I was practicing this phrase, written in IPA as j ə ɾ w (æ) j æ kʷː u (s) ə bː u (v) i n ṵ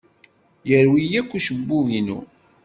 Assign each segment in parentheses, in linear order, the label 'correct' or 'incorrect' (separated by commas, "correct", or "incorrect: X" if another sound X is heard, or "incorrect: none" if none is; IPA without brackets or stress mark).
incorrect: i, incorrect: ʃ, correct